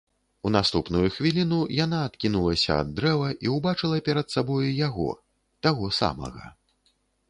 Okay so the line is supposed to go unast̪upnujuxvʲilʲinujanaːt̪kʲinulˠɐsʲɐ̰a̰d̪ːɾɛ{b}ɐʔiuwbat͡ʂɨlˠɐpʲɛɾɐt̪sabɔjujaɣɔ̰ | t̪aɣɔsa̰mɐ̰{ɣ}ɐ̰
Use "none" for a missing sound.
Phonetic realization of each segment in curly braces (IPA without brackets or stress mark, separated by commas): v, ɣ